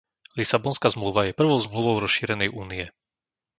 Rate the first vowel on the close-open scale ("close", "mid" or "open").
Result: close